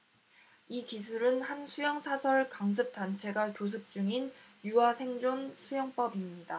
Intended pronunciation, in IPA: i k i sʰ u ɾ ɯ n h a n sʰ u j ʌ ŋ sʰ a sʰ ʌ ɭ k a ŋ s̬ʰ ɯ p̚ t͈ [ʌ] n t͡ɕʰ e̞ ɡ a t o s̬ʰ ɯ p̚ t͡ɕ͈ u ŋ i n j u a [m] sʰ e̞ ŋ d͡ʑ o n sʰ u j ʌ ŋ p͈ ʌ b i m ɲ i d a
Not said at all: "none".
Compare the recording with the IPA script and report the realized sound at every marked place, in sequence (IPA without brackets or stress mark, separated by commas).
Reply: a, none